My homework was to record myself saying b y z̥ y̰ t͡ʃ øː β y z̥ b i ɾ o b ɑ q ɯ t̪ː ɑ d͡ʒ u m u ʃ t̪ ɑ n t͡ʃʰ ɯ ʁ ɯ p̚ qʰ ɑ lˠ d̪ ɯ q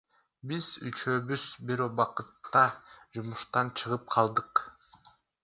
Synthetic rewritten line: b i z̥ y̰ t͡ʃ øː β y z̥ b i ɾ o b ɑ q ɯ t̪ː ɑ d͡ʒ u m u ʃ t̪ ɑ n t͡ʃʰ ɯ ʁ ɯ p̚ qʰ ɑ lˠ d̪ ɯ q